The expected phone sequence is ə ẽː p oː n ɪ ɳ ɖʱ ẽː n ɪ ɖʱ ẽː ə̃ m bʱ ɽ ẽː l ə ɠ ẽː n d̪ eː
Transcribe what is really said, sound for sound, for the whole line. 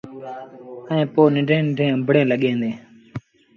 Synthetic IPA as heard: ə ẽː p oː n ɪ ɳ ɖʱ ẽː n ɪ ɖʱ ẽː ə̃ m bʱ ɽ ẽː l ə ɠ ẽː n d̪ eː

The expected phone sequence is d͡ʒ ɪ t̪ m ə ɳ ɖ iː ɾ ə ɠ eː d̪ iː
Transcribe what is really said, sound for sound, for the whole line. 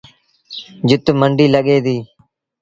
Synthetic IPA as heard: d͡ʒ ɪ t̪ m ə ɳ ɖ iː l ə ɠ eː d̪ iː

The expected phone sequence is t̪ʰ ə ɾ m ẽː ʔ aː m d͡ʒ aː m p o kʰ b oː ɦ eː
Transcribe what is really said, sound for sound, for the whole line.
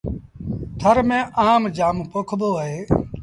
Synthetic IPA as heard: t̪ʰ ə ɾ m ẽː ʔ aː m d͡ʒ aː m p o kʰ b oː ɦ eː

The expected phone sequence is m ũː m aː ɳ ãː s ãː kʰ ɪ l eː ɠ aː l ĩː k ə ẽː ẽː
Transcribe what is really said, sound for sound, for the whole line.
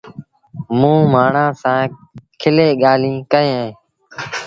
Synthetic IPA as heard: m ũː m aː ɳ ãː s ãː kʰ ɪ l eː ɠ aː l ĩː k ə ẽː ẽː

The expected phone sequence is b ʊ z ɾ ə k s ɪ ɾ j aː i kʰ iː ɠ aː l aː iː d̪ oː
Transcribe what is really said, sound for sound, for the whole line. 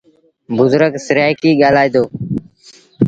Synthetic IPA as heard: b ʊ z ɾ ə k s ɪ ɾ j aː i k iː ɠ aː l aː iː d̪ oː

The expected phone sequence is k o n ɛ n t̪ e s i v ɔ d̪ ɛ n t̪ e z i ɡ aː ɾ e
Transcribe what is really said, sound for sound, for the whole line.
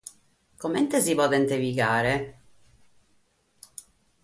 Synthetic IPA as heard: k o m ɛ n t̪ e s i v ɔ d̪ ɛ n t̪ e v i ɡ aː ɾ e

